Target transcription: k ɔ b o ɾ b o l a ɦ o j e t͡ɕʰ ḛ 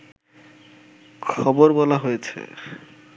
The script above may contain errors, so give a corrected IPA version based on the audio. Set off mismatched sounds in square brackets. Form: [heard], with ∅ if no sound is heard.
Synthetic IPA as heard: [kʰ] ɔ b o ɾ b [ɔ] l a ɦ o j e t͡ɕʰ ḛ

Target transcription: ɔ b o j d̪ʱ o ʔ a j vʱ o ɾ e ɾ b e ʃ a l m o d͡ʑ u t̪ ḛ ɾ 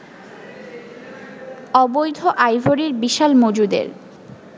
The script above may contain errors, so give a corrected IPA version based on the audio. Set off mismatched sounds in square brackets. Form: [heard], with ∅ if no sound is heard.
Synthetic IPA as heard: ɔ b o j d̪ʱ o ʔ a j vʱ o ɾ [i] ɾ b [i] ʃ a l m o d͡ʑ u [d̪] ḛ ɾ

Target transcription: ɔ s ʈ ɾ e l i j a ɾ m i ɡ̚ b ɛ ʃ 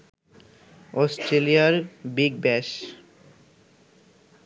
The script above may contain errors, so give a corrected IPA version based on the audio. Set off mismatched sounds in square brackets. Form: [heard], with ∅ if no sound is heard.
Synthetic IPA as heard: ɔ s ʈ ɾ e l i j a ɾ [b] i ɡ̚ b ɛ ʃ

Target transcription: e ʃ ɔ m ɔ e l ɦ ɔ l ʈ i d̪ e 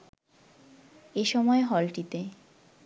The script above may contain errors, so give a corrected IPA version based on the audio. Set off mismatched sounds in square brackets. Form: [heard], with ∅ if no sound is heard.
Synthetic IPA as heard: e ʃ ɔ m ɔ e [∅] ɦ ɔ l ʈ i [t̪] e

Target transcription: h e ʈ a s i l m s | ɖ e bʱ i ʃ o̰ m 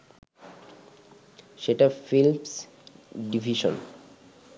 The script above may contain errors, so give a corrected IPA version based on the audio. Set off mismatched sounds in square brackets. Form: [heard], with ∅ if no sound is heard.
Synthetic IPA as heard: [ʃ] e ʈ a [f] i l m s | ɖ [i] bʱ i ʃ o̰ [n]

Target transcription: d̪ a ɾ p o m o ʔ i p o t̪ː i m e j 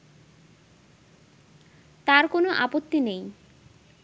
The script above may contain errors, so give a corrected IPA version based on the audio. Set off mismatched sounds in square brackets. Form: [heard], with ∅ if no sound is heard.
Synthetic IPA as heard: [t̪] a ɾ [k] o [n] o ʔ [a] p o t̪ː i [n] e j

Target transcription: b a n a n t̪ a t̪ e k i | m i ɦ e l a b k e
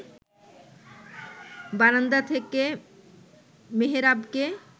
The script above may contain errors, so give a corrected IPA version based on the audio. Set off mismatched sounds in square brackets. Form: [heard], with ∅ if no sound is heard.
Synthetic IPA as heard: b a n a n [d̪] a [t̪ʰ] e k [e] | m [e] ɦ e [ɾ] a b k e

